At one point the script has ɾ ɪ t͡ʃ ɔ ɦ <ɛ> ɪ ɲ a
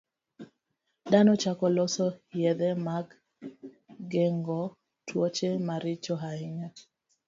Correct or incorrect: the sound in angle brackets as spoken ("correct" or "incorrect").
incorrect